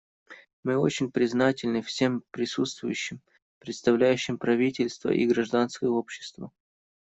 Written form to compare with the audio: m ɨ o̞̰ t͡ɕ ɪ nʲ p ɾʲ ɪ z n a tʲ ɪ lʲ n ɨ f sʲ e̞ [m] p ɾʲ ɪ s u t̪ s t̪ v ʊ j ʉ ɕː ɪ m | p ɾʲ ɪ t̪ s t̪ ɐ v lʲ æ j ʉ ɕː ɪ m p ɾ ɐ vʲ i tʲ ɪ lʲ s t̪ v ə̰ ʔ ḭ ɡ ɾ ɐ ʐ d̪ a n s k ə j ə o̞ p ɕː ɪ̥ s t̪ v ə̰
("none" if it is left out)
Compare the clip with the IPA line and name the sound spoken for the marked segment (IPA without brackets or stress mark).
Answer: m